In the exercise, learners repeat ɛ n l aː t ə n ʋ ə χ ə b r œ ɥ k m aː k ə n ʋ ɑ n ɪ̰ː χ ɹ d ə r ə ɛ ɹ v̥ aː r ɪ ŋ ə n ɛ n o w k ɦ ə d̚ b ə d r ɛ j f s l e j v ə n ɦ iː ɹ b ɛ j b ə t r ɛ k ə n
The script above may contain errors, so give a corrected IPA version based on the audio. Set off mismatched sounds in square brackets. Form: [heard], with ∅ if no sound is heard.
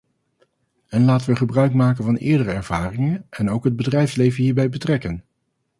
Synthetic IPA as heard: ɛ n l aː t ə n ʋ ə χ ə b r œ ɥ k m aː k ə n [v] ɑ n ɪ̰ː [∅] ɹ d ə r ə ɛ ɹ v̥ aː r ɪ ŋ ə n ɛ n o w k ɦ ə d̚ b ə d r ɛ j f s l e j v ə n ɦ iː ɹ b ɛ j b ə t r ɛ k ə n